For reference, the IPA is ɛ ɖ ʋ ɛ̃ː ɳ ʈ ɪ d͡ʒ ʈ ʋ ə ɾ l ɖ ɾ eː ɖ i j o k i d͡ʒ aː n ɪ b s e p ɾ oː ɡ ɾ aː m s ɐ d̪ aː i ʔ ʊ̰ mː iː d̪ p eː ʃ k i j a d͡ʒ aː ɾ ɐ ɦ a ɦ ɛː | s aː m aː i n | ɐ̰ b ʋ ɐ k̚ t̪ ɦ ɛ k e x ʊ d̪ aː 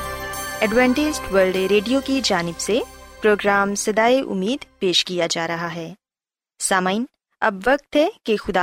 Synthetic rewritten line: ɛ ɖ ʋ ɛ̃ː ɳ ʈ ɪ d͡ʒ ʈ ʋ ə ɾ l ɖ ɾ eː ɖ i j o k i d͡ʒ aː n ɪ b s e p ɾ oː ɡ ɾ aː m s ɐ d̪ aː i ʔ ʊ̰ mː iː d̪ p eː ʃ k i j a d͡ʒ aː ɾ ɐ ɦ a ɦ ɛː | s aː m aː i n | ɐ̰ b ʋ ɐ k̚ t̪ ɦ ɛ k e x ʊ d̪ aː